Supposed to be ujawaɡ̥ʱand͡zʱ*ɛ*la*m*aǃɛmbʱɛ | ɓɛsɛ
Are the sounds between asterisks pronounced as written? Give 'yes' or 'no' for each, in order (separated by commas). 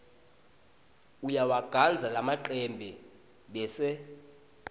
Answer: no, yes